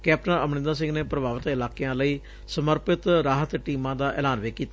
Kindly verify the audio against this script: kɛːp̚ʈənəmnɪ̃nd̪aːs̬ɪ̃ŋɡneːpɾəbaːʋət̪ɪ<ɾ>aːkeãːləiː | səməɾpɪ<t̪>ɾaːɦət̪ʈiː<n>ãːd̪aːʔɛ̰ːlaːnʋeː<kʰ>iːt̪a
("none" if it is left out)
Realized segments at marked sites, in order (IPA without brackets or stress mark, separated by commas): l, t̪, m, k